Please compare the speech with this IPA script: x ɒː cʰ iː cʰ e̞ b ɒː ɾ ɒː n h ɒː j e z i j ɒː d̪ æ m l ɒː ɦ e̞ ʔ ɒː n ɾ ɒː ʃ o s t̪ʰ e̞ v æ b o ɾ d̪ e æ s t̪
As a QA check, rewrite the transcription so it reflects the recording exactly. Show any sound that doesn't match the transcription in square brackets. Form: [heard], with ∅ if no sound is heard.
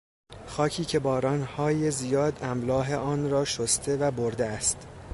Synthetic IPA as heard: x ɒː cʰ iː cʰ e̞ b ɒː ɾ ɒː n h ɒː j e z i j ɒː d̪ æ m l ɒː ɦ e̞ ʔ ɒː n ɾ ɒː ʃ o s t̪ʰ e̞ v æ b o ɾ d̪ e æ s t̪